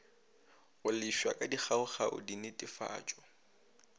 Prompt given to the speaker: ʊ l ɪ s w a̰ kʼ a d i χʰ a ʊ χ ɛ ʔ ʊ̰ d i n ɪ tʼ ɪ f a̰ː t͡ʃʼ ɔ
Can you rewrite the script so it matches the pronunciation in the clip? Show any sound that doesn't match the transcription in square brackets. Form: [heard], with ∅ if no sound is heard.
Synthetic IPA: ʊ l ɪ [ʃ] w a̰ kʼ a d i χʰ a ʊ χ [a] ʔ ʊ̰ d i n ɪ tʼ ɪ f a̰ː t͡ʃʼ ɔ